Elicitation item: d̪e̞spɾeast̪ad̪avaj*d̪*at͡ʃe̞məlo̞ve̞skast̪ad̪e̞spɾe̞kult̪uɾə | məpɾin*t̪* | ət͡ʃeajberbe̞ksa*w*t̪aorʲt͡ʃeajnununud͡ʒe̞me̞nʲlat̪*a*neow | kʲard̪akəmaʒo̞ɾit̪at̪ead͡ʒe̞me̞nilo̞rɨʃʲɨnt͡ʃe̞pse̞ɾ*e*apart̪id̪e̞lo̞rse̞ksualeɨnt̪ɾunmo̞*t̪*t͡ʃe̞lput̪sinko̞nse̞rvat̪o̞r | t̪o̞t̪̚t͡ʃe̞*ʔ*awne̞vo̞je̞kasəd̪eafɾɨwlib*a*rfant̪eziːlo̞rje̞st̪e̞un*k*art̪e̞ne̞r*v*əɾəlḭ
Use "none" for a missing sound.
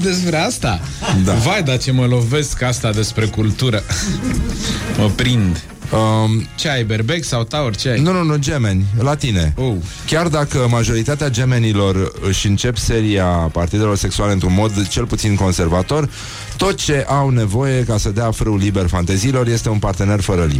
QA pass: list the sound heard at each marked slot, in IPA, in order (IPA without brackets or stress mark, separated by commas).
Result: d̪, d̪, w, i, i, d̪, ʔ, e, p, f